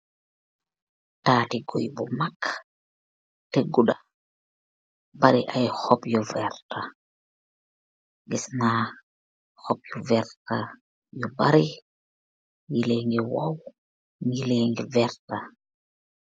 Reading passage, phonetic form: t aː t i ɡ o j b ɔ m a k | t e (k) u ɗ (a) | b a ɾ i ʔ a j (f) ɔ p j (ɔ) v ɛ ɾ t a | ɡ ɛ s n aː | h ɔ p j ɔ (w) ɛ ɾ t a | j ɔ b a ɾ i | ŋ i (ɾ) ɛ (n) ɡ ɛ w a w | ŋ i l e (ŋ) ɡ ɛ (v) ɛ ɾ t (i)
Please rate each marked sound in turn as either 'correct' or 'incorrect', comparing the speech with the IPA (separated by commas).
incorrect, correct, incorrect, correct, incorrect, incorrect, incorrect, correct, correct, incorrect